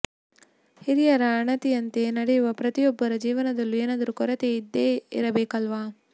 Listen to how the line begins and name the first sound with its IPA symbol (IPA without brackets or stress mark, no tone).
h